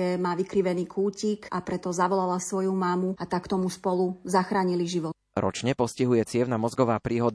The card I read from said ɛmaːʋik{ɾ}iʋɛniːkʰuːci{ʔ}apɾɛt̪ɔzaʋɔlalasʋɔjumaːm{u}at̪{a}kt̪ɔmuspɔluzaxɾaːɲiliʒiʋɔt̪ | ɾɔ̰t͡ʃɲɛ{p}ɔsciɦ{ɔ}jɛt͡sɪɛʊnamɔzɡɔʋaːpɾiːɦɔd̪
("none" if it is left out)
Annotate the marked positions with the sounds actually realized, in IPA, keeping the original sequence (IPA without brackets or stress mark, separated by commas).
ɾ, k, u, a, p, u